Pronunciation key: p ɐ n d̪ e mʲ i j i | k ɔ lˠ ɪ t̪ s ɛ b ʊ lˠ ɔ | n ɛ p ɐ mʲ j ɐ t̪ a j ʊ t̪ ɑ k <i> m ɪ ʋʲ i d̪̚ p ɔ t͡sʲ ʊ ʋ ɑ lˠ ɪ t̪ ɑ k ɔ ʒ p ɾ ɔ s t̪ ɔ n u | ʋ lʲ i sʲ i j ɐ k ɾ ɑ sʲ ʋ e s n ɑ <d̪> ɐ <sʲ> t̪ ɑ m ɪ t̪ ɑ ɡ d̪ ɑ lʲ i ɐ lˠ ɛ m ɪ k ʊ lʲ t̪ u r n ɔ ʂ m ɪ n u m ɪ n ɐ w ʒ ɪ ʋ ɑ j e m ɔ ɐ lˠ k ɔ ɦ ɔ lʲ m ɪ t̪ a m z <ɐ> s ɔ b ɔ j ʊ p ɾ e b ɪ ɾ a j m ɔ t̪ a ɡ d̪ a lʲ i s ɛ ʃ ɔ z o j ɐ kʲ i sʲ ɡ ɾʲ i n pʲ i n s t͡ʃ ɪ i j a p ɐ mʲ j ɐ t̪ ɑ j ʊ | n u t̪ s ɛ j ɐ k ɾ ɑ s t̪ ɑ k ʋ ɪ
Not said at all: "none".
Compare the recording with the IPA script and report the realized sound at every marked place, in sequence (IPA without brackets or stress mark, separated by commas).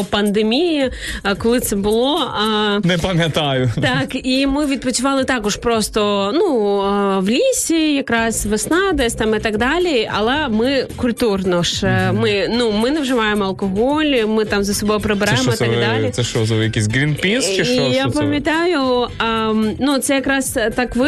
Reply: i, d̪, sʲ, ɐ